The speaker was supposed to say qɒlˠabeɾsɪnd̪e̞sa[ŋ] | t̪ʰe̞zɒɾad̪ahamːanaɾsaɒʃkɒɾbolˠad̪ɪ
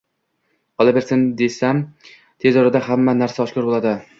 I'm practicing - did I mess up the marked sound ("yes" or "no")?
yes